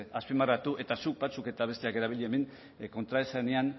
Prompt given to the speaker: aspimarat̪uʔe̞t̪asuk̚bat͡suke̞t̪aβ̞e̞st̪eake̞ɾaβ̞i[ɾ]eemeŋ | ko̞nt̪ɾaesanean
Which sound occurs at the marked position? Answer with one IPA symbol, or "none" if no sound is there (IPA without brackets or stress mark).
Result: ʎ